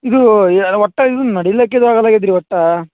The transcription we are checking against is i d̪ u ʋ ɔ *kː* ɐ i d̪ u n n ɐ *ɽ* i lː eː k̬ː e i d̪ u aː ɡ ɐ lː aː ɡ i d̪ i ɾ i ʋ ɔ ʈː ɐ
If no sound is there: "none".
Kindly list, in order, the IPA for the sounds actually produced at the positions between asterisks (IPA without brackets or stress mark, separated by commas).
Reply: ʈː, ɽ